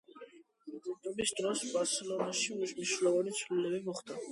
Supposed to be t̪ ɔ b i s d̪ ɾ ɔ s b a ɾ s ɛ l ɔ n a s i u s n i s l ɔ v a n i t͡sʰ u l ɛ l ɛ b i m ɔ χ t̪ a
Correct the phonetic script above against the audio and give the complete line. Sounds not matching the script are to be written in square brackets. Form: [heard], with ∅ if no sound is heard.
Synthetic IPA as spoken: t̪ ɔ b i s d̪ ɾ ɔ s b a ɾ s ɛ l ɔ n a [ʃ] i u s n i [ʃ] l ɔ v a n i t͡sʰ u l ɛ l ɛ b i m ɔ χ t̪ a